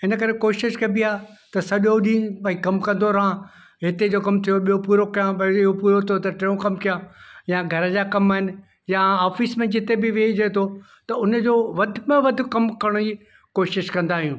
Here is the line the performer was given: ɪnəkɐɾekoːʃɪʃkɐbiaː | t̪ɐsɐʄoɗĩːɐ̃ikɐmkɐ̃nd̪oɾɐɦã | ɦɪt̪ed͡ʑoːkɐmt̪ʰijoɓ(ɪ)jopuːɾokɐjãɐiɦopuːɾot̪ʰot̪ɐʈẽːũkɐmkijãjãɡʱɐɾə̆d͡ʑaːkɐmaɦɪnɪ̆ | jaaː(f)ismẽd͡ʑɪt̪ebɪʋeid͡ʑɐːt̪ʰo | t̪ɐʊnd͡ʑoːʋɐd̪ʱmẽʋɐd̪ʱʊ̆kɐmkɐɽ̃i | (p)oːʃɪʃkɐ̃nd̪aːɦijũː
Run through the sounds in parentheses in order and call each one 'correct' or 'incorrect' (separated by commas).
incorrect, correct, incorrect